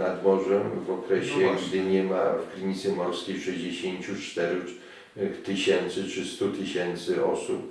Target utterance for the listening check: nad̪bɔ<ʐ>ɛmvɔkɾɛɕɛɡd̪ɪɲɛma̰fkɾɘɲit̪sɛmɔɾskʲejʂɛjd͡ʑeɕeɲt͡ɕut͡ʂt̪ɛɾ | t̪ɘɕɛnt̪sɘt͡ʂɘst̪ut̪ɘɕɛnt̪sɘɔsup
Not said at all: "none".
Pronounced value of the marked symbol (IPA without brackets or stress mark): ʐ